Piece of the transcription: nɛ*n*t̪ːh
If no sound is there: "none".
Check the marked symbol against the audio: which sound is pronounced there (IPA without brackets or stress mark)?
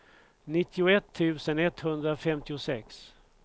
none